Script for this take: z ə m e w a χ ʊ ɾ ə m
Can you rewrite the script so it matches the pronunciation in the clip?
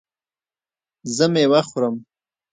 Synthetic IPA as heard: z ə m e w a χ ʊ ɾ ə m